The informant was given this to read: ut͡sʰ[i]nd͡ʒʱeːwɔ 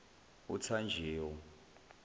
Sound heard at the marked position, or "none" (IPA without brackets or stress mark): a